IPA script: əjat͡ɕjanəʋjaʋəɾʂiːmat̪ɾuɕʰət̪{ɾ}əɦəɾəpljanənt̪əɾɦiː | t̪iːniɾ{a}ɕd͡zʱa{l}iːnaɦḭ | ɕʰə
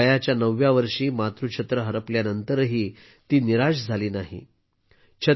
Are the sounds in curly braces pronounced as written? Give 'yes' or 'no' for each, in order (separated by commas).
yes, yes, yes